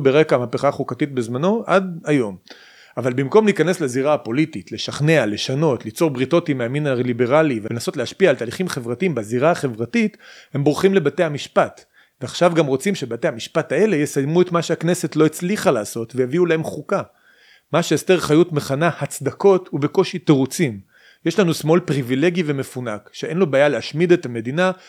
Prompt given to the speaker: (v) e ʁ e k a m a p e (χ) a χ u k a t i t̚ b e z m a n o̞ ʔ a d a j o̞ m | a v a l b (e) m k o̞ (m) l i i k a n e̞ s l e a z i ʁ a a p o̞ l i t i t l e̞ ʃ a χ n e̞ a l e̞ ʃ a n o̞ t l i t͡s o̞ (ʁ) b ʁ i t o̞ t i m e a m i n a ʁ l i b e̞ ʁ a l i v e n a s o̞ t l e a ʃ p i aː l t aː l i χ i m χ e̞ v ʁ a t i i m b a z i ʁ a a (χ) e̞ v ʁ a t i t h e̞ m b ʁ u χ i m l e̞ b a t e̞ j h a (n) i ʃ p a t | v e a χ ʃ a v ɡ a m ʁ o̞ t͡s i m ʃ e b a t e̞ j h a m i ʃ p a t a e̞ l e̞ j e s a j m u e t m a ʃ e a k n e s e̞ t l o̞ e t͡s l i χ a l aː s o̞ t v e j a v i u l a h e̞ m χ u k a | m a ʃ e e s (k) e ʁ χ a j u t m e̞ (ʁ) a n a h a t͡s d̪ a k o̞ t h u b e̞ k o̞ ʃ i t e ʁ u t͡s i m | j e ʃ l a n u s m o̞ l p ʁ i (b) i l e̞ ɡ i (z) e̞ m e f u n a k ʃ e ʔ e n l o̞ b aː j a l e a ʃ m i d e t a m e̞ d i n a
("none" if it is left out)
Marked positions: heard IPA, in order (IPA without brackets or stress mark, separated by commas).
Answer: b, χ, i, m, ʁ, χ, m, t, χ, v, v